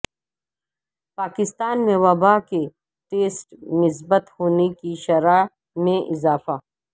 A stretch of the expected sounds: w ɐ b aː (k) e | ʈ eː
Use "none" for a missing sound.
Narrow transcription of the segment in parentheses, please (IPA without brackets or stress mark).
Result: k